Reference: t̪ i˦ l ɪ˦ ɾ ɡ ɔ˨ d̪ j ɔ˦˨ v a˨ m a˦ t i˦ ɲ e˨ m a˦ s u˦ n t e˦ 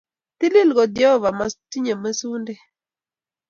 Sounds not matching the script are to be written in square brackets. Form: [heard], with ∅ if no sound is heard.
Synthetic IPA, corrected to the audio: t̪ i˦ l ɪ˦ [l] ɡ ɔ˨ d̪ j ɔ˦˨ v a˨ m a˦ t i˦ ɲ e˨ m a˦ s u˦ n [d] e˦